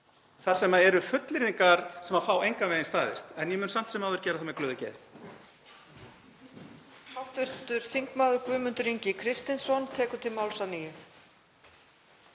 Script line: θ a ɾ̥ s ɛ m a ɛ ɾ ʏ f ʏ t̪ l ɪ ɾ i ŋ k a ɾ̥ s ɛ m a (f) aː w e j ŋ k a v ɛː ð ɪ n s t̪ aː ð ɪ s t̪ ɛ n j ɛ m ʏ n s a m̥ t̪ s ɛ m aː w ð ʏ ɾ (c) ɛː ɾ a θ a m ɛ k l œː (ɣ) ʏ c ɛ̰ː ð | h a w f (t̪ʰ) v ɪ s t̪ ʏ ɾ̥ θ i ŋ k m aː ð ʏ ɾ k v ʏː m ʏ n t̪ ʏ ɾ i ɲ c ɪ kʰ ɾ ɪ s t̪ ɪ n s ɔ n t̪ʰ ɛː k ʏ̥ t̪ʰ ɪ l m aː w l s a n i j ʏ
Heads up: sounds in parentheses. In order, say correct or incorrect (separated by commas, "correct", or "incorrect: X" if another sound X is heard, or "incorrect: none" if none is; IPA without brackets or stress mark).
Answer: correct, correct, incorrect: ð, incorrect: t̪